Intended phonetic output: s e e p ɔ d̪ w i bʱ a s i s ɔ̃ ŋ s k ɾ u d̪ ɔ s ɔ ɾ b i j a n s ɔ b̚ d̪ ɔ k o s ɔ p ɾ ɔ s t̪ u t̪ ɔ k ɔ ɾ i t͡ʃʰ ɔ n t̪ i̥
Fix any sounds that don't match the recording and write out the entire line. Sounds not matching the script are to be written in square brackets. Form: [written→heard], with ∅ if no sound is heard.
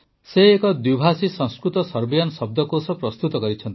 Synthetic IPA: s e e [p→k] ɔ d̪ w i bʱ a s i s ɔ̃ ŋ s k ɾ u [d̪→t̪] ɔ s ɔ ɾ b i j a n s ɔ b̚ d̪ ɔ k o s ɔ p ɾ ɔ s t̪ u t̪ ɔ k ɔ ɾ i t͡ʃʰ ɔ n t̪ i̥